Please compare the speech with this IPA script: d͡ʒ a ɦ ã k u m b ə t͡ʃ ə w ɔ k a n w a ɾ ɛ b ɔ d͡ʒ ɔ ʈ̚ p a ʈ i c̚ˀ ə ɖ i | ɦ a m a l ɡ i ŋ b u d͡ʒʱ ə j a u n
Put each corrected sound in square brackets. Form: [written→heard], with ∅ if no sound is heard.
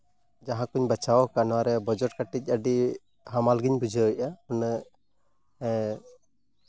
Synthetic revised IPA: d͡ʒ a ɦ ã k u [m→ɲ] b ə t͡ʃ [ə→a] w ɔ k a n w a ɾ ɛ b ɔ d͡ʒ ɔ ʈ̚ [p→k] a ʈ i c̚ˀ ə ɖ i | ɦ a m a l ɡ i [ŋ→ɲ] b u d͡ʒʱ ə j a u n